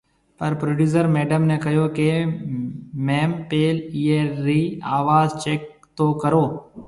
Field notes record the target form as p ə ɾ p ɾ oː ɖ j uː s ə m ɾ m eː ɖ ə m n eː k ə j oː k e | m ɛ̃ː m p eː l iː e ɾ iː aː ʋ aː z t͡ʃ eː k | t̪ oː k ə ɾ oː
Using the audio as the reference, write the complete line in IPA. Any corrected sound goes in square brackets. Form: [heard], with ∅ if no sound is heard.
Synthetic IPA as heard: p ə ɾ p ɾ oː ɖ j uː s ə [∅] ɾ m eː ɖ ə m n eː k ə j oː k e | m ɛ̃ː m p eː l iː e ɾ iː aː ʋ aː z t͡ʃ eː k | t̪ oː k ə ɾ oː